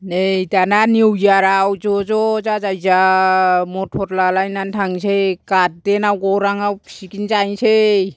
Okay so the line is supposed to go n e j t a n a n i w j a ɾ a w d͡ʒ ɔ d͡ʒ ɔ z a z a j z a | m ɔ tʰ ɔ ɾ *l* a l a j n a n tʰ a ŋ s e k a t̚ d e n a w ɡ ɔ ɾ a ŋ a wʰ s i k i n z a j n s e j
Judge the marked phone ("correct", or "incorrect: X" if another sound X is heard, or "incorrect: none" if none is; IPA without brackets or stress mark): correct